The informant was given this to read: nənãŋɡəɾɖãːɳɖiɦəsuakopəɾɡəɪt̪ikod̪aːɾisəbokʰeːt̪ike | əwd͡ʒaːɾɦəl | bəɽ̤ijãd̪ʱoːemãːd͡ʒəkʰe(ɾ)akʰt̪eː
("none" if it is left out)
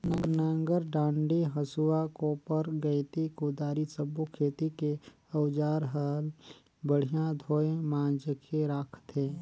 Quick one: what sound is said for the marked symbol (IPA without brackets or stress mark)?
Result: ɾ